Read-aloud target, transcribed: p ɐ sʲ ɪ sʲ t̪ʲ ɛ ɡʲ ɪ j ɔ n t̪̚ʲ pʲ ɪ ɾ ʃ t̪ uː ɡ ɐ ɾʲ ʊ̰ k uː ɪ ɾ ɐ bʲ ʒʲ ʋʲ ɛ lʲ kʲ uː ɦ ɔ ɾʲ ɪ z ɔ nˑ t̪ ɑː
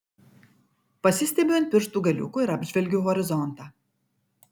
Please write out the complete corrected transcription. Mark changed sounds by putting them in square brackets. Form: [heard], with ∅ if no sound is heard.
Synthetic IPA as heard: p ɐ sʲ ɪ sʲ t̪ʲ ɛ [bʲ] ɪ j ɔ n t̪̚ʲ pʲ ɪ ɾ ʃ t̪ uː ɡ ɐ [lʲ] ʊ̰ k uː ɪ ɾ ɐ bʲ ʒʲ ʋʲ ɛ lʲ [ɡʲ] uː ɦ ɔ ɾʲ ɪ z ɔ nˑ t̪ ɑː